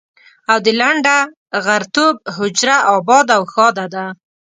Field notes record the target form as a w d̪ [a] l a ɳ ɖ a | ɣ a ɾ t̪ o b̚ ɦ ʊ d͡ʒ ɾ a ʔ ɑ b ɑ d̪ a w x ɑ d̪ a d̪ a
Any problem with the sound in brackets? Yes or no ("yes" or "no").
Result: yes